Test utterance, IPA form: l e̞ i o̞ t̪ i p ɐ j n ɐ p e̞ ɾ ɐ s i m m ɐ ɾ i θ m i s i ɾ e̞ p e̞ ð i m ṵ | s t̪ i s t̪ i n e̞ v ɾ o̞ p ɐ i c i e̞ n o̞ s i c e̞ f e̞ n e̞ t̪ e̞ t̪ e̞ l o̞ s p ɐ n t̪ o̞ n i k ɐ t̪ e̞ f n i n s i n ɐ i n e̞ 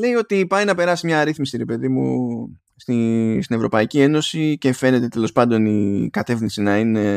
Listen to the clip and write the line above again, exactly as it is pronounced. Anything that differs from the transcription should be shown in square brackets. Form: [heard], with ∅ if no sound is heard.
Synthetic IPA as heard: l e̞ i o̞ t̪ i p ɐ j n ɐ p e̞ ɾ ɐ s i m [ɲ] ɐ ɾ i θ m i s i ɾ e̞ p e̞ ð i m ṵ | s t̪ i s t̪ i n e̞ v ɾ o̞ p ɐ i c i e̞ n o̞ s i c e̞ f e̞ n e̞ t̪ e̞ t̪ e̞ l o̞ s p ɐ n [d̪] o̞ n i k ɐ t̪ e̞ f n i n s i n ɐ i n e̞